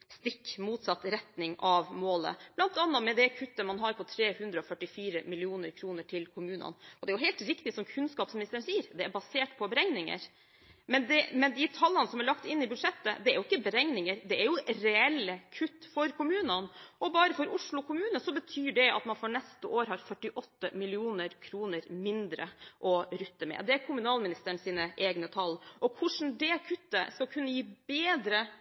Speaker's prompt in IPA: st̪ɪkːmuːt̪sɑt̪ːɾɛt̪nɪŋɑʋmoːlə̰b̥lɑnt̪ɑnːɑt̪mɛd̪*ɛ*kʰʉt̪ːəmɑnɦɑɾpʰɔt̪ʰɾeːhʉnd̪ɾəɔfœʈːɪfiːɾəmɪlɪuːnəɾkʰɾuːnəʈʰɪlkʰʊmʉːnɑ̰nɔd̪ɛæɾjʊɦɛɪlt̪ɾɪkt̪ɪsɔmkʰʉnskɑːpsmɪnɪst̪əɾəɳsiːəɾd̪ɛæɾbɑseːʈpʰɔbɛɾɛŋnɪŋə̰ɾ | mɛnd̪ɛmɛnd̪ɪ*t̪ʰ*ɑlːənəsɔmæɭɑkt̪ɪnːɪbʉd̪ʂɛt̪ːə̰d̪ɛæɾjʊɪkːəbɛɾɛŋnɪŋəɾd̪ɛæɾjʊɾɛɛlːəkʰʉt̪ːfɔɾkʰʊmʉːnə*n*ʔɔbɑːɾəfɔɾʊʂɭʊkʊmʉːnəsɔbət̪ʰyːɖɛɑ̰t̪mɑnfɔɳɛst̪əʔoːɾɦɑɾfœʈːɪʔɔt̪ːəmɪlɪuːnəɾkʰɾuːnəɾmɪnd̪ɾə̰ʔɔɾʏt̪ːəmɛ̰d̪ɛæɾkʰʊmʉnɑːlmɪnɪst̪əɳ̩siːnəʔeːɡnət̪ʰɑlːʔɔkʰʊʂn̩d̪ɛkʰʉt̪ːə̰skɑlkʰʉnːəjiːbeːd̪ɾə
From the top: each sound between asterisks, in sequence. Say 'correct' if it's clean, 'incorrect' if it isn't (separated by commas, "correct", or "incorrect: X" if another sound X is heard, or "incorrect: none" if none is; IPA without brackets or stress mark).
correct, correct, correct